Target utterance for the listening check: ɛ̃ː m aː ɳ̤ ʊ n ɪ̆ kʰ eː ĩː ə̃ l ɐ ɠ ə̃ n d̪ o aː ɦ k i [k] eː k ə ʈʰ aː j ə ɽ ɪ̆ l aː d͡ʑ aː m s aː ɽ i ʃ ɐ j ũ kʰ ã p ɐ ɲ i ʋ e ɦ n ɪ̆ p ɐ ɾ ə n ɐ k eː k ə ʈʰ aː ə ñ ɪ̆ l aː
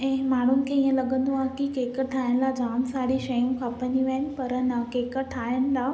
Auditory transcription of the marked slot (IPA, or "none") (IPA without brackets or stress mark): k